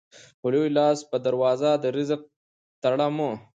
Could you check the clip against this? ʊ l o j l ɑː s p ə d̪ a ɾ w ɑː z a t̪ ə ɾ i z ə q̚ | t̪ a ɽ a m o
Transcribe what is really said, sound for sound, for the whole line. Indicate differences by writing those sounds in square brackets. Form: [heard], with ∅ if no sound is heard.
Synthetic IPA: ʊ l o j l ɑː s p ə d̪ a ɾ w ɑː z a [d̪] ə ɾ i z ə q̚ | t̪ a ɽ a m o